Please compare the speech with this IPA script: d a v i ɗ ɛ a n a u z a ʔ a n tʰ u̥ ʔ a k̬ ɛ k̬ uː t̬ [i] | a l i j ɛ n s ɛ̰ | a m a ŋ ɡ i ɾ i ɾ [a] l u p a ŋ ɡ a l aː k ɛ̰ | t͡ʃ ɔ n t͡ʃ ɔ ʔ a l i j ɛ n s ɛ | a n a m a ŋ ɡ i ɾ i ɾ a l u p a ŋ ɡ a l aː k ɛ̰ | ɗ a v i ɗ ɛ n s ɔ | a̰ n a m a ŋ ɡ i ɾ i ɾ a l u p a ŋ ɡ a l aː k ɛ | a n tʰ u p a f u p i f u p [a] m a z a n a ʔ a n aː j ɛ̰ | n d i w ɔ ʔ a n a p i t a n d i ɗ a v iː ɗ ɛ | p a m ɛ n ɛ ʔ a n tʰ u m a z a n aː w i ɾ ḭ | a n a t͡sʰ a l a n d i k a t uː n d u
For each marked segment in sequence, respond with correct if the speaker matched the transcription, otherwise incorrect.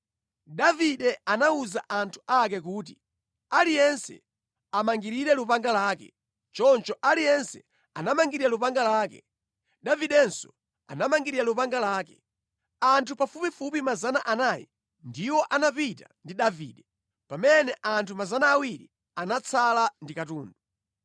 correct, incorrect, incorrect

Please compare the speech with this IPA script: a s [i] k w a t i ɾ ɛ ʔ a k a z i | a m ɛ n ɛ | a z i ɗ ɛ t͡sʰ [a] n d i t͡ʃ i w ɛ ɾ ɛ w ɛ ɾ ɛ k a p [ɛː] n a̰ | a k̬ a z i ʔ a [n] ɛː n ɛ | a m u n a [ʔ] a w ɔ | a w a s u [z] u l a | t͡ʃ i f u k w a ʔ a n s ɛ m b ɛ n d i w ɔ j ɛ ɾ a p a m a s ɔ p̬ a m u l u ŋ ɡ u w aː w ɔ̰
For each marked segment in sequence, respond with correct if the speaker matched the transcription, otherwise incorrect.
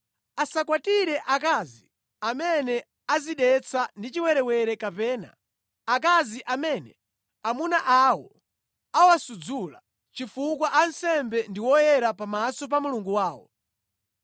incorrect, correct, correct, incorrect, correct, incorrect

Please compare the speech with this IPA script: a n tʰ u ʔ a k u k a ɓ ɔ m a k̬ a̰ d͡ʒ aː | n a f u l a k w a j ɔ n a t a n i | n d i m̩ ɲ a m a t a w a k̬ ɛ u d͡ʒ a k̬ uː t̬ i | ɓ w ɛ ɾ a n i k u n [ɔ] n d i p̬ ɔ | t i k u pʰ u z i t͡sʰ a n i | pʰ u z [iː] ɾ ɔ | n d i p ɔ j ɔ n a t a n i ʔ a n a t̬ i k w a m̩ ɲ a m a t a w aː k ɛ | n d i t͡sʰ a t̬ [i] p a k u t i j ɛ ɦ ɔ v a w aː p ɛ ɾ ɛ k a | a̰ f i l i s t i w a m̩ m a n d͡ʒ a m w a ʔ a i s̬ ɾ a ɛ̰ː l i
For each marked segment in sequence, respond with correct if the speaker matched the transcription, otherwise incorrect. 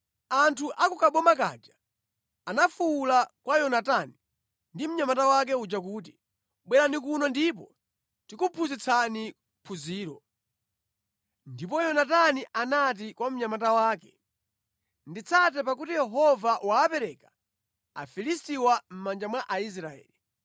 correct, correct, incorrect

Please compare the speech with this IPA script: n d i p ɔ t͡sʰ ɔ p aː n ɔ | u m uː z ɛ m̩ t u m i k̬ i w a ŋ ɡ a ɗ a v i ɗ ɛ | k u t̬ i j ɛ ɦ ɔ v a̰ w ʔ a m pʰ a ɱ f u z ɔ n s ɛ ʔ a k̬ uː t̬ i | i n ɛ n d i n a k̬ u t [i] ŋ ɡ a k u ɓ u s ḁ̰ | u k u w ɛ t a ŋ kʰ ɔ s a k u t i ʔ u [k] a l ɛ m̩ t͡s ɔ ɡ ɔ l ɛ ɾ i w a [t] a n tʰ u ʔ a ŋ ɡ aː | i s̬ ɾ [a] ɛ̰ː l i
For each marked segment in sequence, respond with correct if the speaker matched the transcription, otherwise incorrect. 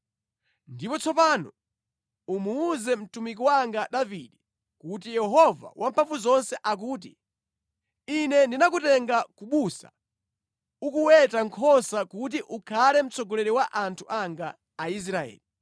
incorrect, incorrect, incorrect, correct

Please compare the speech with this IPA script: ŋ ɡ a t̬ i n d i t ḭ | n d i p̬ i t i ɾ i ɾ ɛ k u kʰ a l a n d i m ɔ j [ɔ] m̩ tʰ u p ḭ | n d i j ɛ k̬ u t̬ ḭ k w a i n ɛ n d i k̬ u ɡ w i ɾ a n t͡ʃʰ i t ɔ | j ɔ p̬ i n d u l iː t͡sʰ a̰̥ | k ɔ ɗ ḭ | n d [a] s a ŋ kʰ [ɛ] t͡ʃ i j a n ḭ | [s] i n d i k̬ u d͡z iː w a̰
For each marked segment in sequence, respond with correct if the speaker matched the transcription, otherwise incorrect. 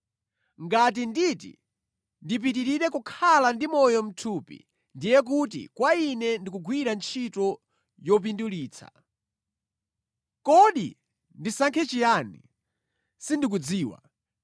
correct, incorrect, correct, correct

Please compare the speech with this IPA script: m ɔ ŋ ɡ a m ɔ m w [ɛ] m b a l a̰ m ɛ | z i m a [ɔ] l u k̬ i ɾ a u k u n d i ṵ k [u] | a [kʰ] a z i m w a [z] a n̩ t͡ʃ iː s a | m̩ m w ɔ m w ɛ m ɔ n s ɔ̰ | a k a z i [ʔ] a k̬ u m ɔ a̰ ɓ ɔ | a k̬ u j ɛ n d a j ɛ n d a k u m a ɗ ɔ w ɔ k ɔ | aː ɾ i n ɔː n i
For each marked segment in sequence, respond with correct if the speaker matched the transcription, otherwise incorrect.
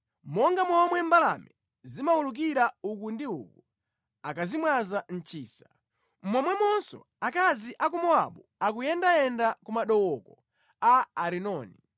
correct, incorrect, correct, incorrect, correct, correct

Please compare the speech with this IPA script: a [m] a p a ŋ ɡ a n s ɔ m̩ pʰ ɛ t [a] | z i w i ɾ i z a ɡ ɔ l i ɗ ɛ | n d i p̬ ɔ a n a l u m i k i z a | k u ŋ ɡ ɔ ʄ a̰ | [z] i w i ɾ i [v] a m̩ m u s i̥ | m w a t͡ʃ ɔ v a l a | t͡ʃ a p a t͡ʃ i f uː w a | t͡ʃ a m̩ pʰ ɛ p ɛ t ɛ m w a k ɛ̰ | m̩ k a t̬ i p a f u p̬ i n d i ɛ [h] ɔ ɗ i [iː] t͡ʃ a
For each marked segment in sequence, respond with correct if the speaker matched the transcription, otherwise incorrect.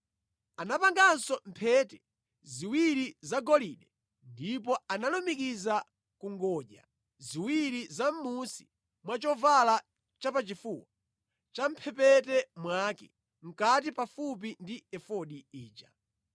incorrect, incorrect, correct, incorrect, incorrect, correct

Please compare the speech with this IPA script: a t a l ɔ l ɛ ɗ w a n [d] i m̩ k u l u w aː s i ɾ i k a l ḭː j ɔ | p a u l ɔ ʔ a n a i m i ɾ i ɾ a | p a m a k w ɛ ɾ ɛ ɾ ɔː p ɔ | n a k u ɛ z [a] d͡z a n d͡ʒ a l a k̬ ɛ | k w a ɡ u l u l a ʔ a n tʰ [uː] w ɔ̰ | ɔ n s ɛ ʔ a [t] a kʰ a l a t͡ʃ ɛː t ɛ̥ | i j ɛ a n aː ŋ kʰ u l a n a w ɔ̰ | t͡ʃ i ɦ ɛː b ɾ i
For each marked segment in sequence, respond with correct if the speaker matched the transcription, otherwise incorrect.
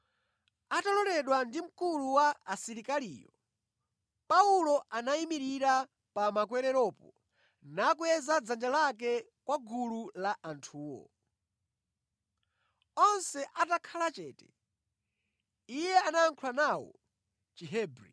correct, correct, correct, correct

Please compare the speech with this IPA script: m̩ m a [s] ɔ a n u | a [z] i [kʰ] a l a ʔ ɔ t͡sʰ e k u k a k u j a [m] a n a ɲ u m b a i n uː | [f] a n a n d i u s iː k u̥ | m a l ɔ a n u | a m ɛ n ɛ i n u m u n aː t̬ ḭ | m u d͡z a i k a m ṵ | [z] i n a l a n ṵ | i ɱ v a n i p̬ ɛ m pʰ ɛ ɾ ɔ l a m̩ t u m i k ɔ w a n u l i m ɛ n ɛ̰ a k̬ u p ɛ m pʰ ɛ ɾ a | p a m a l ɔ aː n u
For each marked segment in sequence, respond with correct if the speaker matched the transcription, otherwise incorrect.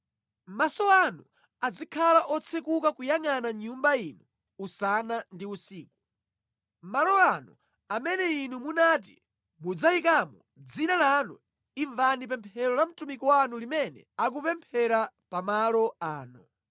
correct, incorrect, correct, incorrect, incorrect, incorrect

